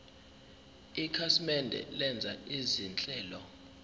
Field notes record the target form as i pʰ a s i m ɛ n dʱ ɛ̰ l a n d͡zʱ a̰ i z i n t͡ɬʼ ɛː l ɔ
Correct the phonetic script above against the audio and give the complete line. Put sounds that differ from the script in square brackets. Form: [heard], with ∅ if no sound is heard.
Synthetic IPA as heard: i [kʰ] a s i m ɛ n dʱ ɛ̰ l [ɛ] n d͡zʱ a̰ i z i n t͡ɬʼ ɛː l ɔ